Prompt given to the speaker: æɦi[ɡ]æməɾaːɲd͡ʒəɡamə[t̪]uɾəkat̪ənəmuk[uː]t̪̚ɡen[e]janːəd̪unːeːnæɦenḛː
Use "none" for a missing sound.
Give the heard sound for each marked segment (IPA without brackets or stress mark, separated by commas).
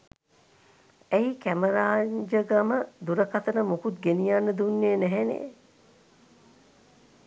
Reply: k, d̪, u, i